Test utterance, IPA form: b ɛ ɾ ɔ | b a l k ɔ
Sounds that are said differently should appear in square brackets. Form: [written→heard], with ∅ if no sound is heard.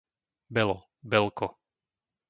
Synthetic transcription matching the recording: b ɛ [ɾ→l] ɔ | b [a→ɛ] l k ɔ